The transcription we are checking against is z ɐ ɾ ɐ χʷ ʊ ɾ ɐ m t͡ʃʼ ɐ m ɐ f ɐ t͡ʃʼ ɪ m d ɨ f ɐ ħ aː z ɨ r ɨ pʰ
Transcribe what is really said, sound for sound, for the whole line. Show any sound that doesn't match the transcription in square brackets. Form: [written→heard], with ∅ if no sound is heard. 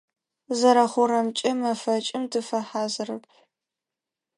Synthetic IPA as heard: z ɐ ɾ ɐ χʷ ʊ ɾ ɐ m t͡ʃʼ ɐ m ɐ f ɐ t͡ʃʼ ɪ m d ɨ f ɐ ħ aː z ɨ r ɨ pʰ

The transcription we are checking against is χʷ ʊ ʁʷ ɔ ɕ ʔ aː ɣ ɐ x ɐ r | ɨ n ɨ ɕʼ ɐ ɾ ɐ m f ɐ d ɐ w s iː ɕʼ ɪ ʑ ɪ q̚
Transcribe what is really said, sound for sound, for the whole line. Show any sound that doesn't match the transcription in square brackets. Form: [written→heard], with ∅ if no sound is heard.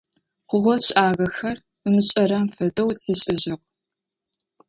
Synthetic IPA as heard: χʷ ʊ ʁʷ ɔ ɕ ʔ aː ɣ ɐ x ɐ r | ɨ [n→m] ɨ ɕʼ ɐ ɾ ɐ m f ɐ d ɐ w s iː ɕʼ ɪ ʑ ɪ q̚

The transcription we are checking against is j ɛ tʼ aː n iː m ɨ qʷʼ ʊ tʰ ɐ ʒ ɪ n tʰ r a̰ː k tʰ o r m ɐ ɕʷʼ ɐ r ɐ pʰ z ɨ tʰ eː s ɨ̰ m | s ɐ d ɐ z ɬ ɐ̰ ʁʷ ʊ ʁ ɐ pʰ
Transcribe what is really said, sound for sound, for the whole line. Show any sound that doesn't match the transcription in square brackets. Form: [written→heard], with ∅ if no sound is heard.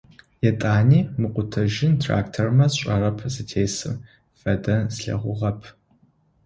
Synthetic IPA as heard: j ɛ tʼ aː n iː m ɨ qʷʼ ʊ tʰ ɐ ʒ ɪ n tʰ r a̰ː k tʰ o r m ɐ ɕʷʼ ɐ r ɐ pʰ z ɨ tʰ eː s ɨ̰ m | [s→f] ɐ d ɐ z ɬ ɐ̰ ʁʷ ʊ ʁ ɐ pʰ

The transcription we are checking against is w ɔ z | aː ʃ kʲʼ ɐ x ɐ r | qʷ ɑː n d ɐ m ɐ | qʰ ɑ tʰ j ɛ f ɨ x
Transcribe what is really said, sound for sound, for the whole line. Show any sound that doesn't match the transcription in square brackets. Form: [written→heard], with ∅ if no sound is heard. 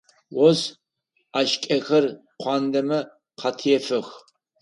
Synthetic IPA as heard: w ɔ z | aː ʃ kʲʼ ɐ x ɐ r | qʷ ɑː n d ɐ m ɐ | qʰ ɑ tʰ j ɛ f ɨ x

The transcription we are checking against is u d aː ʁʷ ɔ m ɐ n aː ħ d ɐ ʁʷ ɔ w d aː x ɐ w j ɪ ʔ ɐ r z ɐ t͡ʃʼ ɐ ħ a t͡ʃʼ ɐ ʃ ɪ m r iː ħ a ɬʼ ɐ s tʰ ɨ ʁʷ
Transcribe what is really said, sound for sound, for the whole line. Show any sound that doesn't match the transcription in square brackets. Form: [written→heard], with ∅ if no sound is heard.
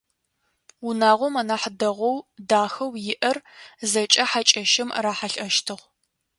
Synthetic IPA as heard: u [d→n] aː ʁʷ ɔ m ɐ n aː ħ d ɐ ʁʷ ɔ w d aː x ɐ w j ɪ ʔ ɐ r z ɐ t͡ʃʼ ɐ ħ a t͡ʃʼ ɐ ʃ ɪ m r [iː→aː] ħ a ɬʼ ɐ [s→ʃ] tʰ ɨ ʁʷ

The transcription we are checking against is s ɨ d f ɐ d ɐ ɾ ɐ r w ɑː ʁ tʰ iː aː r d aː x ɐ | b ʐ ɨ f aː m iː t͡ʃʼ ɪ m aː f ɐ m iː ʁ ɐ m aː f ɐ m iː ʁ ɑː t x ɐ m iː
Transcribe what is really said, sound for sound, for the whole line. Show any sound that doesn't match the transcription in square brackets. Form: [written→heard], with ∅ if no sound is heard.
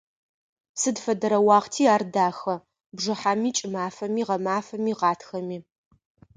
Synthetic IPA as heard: s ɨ d f ɐ d ɐ ɾ ɐ [r→∅] w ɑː ʁ tʰ iː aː r d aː x ɐ | b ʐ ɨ [f→ħ] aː m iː t͡ʃʼ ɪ m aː f ɐ m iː ʁ ɐ m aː f ɐ m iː ʁ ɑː t x ɐ m iː

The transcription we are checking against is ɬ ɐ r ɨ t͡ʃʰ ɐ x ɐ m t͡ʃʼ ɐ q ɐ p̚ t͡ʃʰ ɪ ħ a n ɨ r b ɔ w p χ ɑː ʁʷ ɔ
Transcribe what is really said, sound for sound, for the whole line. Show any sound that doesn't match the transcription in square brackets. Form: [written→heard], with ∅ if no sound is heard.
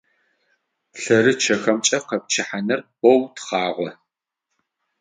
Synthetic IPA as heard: ɬ ɐ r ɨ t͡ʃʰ ɐ x ɐ m t͡ʃʼ ɐ q ɐ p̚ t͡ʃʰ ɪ ħ a n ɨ r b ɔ w [p→t] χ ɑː ʁʷ ɔ

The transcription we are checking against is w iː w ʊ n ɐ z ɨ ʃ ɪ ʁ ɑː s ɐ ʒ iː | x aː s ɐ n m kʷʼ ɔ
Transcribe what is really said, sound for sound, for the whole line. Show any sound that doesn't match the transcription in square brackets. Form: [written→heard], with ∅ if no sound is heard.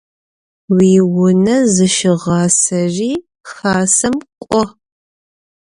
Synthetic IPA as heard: w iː w ʊ n ɐ z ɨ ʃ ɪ ʁ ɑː s ɐ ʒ iː | x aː s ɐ [n→∅] m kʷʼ ɔ

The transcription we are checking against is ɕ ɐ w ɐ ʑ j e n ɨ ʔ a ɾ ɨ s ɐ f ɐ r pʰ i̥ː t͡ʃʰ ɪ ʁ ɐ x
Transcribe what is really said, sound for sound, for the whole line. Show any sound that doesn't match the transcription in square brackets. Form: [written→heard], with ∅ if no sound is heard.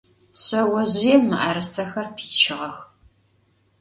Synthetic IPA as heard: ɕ ɐ w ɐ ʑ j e [n→m] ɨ ʔ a ɾ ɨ s ɐ [f→x] ɐ r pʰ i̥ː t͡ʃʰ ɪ ʁ ɐ x

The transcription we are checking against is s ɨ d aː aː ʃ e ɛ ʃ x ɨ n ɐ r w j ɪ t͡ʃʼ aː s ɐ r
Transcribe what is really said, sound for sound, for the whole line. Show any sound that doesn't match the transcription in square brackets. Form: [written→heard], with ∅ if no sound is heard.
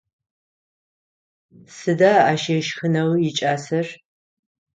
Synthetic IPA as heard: s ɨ d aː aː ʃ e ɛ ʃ x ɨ n ɐ [r→∅] w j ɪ t͡ʃʼ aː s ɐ r

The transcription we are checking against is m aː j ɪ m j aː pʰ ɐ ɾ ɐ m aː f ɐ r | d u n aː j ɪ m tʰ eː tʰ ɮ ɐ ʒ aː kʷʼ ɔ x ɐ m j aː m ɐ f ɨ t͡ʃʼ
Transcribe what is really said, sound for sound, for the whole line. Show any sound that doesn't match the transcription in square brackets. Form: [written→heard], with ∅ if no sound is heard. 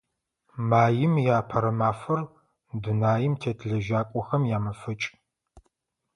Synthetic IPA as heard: m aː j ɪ m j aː pʰ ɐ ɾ ɐ m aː f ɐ r | d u n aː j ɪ m tʰ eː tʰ ɮ ɐ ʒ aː kʷʼ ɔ x ɐ m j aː m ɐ f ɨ t͡ʃʼ

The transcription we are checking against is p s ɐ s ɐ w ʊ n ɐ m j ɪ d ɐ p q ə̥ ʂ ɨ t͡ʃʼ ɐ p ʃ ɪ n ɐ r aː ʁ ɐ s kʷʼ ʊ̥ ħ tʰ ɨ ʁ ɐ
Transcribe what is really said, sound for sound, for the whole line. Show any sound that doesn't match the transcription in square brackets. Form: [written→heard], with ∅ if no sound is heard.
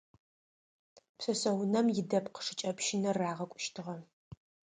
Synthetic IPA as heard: p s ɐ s ɐ w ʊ n ɐ m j ɪ d ɐ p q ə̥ ʂ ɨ t͡ʃʼ ɐ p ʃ ɪ n ɐ r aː ʁ ɐ [s→∅] kʷʼ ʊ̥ [ħ→ʃ] tʰ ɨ ʁ ɐ

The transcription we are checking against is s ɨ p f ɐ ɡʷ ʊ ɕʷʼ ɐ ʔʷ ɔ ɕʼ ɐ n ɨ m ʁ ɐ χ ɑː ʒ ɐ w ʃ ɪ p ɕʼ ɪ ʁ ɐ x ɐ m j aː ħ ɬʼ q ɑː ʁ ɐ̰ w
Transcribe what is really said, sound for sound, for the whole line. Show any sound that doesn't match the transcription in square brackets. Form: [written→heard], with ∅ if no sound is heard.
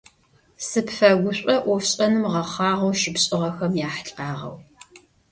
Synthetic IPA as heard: s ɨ p f ɐ ɡʷ ʊ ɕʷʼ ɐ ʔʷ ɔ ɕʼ ɐ n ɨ m ʁ ɐ χ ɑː [ʒ→ʁ] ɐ w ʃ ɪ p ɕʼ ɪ ʁ ɐ x ɐ m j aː ħ ɬʼ q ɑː ʁ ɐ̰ w

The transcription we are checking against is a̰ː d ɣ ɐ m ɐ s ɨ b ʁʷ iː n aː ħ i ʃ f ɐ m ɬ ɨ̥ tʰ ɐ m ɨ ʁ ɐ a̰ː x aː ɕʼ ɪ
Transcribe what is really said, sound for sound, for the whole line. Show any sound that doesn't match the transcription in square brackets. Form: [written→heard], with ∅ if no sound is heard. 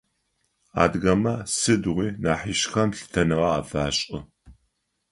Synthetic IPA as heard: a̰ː d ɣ ɐ m ɐ s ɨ [b→d] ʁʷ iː n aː ħ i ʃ [f→x] ɐ m ɬ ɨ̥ tʰ ɐ [m→n] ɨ ʁ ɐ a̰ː [x→f] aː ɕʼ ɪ

